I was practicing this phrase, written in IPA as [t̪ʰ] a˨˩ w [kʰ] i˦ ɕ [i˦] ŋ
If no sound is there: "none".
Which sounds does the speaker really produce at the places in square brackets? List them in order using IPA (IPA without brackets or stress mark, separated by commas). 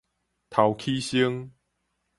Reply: t̪ʰ, kʰ, i˦